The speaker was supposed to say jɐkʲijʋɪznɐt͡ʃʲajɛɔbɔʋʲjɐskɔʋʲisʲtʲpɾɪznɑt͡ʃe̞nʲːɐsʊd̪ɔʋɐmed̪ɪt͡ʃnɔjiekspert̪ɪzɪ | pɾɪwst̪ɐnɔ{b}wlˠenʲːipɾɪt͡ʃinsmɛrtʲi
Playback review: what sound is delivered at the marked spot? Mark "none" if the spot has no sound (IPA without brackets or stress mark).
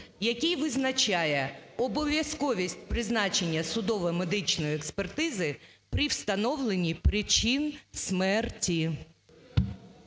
none